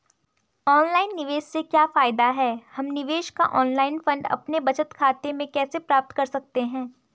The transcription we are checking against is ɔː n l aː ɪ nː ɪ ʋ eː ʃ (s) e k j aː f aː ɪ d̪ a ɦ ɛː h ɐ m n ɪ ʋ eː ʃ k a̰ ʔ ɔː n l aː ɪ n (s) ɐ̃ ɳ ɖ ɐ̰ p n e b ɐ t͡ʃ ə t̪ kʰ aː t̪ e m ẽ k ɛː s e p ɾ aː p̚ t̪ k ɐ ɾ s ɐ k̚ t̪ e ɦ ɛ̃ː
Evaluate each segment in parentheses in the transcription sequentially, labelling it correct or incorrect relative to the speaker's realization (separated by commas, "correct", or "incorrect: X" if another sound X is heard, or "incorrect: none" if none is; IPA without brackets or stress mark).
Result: correct, incorrect: f